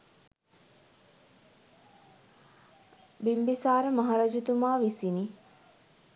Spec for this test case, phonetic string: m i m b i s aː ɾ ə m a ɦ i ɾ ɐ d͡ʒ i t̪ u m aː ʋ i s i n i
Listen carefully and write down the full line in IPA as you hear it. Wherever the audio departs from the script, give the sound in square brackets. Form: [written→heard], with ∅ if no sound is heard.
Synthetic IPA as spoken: [m→b] i m b i s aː ɾ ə m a ɦ [i→a] ɾ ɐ d͡ʒ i t̪ u m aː ʋ i s i n i